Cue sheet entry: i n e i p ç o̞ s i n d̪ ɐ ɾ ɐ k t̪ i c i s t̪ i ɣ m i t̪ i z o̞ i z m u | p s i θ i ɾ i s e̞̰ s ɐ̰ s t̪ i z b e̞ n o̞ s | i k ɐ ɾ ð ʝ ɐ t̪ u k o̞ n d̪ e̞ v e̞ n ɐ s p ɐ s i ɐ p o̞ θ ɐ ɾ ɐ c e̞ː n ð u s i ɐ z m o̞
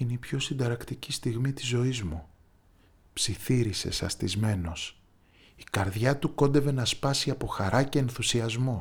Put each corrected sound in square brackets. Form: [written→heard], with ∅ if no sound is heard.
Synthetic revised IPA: i n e i p ç o̞ s i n d̪ ɐ ɾ ɐ k t̪ i c i s t̪ i ɣ m i t̪ i z o̞ i z m u | p s i θ i ɾ i s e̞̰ s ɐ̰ s t̪ i z [b→m] e̞ n o̞ s | i k ɐ ɾ ð ʝ ɐ t̪ u k o̞ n d̪ e̞ v e̞ n ɐ s p ɐ s i ɐ p o̞ [θ→x] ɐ ɾ ɐ c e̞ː n [ð→θ] u s i ɐ z m o̞